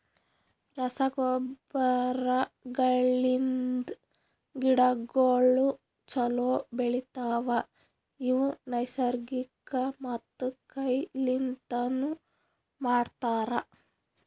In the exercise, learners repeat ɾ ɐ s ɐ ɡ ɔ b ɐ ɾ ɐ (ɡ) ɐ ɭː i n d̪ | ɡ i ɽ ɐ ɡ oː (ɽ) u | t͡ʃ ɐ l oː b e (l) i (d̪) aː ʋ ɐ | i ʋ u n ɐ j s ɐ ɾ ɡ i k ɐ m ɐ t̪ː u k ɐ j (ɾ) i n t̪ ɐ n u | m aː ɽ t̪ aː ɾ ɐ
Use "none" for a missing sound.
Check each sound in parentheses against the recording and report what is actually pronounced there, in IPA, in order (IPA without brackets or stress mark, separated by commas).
ɡ, ɭ, ɭ, t̪, l